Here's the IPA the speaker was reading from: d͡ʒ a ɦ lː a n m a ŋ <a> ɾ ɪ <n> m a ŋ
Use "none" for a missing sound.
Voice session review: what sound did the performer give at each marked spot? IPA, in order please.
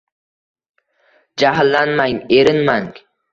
e, n

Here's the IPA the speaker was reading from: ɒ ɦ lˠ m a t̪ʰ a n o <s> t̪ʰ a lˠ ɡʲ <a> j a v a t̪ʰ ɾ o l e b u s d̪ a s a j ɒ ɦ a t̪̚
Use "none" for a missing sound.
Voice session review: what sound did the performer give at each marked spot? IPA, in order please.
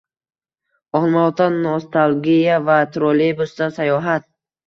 s, i

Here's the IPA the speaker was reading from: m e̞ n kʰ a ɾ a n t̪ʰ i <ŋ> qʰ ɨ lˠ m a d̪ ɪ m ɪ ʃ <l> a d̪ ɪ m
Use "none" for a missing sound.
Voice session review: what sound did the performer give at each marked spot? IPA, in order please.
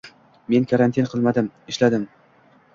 n, l

